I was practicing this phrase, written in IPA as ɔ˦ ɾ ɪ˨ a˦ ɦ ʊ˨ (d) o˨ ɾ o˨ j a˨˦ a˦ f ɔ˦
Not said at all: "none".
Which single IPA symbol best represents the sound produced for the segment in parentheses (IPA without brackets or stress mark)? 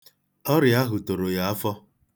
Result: t